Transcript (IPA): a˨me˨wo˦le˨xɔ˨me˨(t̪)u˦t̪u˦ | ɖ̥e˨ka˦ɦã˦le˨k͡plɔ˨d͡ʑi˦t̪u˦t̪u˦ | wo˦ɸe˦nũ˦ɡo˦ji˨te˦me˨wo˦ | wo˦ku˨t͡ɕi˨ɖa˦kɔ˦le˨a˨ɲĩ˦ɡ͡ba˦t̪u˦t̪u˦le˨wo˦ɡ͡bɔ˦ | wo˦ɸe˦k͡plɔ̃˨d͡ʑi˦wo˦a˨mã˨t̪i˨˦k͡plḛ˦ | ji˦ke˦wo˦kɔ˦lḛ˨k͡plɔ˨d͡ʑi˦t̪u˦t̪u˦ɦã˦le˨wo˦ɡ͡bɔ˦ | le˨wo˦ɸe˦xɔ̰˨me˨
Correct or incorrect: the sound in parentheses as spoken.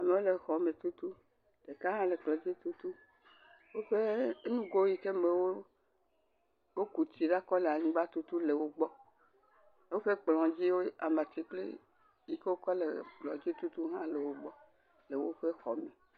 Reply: correct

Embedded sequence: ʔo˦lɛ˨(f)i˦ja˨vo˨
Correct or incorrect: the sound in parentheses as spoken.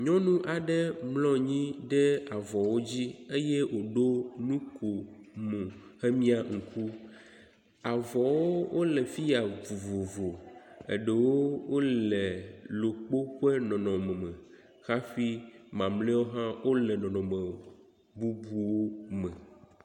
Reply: correct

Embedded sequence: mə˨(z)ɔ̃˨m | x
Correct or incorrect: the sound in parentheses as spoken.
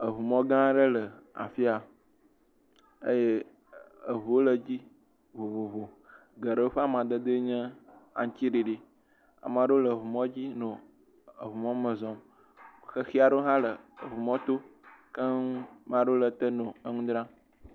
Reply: correct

